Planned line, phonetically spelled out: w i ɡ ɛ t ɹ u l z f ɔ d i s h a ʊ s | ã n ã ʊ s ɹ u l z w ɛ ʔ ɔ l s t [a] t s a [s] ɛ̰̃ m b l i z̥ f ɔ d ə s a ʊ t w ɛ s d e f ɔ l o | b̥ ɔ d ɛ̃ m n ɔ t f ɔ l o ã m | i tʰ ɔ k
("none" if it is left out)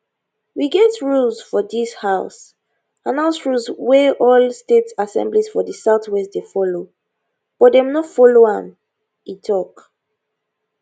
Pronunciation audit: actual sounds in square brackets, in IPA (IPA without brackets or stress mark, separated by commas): e, s